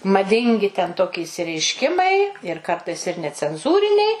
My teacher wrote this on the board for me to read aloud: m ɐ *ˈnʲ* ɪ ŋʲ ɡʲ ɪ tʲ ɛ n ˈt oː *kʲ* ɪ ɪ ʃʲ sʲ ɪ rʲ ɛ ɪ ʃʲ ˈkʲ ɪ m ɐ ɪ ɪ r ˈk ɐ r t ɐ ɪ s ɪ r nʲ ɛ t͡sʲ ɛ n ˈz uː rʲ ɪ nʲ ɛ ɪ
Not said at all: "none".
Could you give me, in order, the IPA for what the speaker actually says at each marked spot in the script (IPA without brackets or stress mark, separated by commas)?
dʲ, kʲ